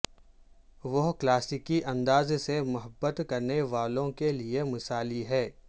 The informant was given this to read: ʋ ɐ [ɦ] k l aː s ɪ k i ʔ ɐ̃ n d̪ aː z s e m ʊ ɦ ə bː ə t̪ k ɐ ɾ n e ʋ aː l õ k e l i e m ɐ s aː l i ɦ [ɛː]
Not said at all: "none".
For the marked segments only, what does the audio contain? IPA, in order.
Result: ɦ, ɛː

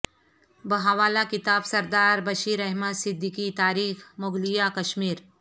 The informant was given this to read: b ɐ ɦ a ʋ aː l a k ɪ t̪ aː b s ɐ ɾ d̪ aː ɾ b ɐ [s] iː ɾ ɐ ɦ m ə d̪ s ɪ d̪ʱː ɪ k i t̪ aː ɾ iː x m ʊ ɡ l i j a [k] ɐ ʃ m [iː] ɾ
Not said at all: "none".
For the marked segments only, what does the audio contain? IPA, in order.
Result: ʃ, k, iː

